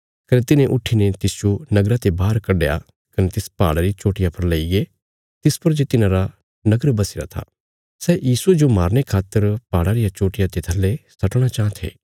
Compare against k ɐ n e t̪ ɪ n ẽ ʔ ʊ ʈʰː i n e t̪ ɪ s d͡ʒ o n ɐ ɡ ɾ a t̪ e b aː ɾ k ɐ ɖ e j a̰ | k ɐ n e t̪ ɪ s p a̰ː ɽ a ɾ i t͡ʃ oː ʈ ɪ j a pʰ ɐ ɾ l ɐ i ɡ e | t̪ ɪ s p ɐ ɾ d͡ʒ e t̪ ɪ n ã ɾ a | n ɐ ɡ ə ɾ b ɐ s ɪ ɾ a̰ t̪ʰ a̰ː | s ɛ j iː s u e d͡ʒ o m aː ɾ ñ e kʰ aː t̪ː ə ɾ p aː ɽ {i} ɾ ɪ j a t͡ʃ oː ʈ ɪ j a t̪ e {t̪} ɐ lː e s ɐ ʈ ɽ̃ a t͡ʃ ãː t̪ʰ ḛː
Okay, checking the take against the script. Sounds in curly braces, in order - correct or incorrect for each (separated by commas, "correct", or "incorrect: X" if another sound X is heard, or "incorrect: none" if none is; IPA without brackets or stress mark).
incorrect: a, incorrect: t̪ʰ